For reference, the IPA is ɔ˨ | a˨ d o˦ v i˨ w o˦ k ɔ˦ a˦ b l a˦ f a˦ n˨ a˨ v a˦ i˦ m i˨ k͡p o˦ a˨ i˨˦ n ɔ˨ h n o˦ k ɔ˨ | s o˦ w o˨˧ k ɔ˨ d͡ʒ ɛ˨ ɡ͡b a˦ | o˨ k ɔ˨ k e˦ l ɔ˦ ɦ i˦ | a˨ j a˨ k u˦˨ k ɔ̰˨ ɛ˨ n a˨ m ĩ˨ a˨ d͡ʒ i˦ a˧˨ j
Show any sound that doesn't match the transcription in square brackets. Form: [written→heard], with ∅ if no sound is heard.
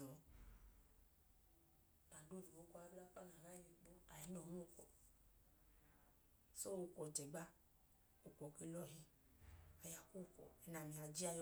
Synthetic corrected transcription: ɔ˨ | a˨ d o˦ v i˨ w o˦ k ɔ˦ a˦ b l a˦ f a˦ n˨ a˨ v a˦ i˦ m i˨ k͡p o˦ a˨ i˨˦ n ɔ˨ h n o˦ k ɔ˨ | s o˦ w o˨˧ k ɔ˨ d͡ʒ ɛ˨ ɡ͡b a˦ | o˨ k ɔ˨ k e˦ l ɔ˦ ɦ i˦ | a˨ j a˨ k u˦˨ k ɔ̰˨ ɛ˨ n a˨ m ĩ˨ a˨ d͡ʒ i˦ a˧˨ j